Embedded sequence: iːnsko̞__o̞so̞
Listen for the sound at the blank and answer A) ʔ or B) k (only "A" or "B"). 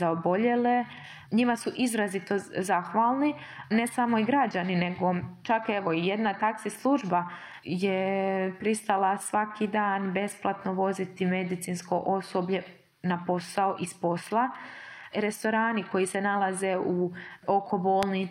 A